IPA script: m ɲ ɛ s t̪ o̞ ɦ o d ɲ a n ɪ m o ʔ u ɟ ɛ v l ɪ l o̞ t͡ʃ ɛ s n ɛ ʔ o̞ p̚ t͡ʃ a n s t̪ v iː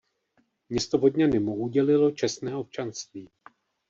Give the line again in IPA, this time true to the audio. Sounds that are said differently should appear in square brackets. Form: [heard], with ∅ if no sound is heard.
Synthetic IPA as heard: m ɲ ɛ s t̪ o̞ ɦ o d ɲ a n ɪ m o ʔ u ɟ ɛ [∅] l ɪ l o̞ t͡ʃ ɛ s n [ɛː] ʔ o̞ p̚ t͡ʃ a n s t̪ v iː